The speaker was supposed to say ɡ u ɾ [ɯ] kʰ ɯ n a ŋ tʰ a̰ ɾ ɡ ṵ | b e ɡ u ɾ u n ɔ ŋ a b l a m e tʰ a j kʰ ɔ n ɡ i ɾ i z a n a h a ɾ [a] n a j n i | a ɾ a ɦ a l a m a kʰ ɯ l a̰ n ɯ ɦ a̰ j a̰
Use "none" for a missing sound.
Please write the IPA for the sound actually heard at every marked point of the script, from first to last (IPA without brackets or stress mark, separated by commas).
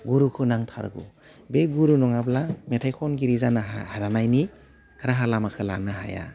u, a